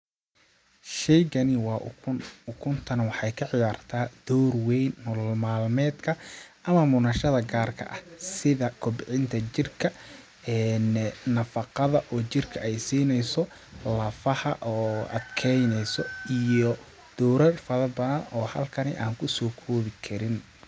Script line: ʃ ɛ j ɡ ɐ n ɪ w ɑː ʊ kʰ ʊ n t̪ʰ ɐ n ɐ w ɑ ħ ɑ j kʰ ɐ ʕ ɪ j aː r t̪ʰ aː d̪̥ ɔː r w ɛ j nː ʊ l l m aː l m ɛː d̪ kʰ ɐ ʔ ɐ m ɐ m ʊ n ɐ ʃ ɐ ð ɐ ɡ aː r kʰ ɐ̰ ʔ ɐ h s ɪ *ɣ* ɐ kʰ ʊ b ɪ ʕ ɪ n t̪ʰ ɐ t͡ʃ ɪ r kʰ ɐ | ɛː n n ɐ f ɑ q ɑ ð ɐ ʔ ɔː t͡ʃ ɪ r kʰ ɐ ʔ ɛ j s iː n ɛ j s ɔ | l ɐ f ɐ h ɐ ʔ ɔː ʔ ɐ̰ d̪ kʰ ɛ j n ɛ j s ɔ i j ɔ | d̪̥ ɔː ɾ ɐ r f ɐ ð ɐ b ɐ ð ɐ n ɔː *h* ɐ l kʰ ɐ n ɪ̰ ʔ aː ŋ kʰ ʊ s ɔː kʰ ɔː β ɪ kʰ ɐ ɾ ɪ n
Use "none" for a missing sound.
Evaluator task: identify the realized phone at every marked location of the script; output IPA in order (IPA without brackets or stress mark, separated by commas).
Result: ð, h